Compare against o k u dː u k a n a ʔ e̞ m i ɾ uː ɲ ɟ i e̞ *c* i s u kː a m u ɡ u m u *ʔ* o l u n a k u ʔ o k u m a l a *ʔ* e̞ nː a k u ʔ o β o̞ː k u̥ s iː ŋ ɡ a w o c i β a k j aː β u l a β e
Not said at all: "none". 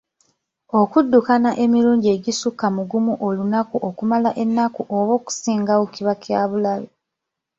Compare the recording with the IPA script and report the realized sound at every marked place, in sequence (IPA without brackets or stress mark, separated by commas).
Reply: ɟ, ʔ, ʔ